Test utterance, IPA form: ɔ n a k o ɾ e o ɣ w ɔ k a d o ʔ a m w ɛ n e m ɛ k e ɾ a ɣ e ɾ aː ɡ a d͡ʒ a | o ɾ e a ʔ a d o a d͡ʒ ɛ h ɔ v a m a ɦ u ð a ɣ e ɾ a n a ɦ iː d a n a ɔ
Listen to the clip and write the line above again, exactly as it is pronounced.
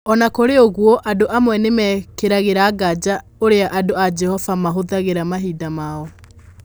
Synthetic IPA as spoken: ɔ n a k o ɾ e o ɣ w ɔ ʔ a d o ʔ a m w ɛ n e m ɛ k e ɾ a ɣ e ɾ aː ɡ a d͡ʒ a | o ɾ e a ʔ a d o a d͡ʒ ɛ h ɔ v a m a ɦ o ð a ɣ e ɾ a m a ɦ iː d a m a ɔ